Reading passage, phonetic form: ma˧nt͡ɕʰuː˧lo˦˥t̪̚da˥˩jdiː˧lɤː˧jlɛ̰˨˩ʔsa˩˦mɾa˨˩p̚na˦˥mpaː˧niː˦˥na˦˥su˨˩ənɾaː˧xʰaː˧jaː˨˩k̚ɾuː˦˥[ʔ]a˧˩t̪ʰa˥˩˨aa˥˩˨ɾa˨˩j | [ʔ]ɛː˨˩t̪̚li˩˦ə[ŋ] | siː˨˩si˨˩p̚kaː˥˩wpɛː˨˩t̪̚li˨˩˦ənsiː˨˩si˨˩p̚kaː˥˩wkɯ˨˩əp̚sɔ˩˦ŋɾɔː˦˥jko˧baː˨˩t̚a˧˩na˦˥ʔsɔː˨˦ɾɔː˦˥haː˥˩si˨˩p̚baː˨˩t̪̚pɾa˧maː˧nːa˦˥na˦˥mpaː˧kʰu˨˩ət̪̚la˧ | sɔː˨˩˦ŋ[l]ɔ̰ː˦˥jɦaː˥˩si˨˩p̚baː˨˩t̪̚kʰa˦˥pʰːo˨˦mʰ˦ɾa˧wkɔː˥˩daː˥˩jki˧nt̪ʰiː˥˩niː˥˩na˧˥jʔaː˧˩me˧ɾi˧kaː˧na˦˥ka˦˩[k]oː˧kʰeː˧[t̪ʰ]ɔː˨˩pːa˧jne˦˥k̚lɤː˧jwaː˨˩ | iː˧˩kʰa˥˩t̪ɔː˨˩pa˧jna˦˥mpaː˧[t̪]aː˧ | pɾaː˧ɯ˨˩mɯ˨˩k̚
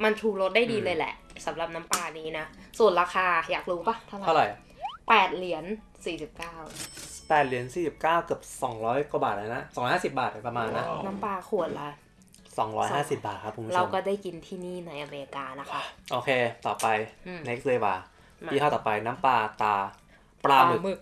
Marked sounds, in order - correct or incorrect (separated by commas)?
incorrect, incorrect, incorrect, incorrect, incorrect, incorrect, correct